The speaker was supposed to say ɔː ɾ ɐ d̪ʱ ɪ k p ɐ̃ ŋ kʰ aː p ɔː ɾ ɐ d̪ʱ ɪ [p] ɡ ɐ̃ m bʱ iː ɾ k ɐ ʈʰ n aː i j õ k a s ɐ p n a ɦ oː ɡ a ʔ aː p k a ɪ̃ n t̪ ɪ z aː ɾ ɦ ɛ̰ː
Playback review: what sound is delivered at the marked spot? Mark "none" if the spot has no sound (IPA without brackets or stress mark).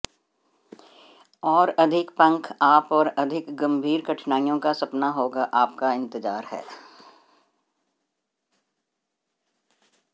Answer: k